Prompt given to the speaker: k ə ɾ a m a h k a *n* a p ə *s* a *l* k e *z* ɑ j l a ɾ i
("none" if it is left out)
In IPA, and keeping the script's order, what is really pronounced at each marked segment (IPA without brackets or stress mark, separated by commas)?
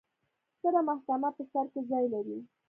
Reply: m, s, ɾ, z